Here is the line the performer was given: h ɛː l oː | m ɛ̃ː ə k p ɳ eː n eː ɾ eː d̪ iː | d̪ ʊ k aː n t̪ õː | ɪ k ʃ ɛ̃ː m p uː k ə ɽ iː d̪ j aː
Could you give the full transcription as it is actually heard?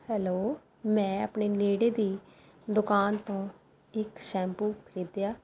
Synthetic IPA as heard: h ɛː l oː | m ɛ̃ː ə p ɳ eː n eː ɽ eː d̪ iː | d̪ ʊ k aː n t̪ õː | ɪ k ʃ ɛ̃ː m p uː k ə ɾ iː d̪ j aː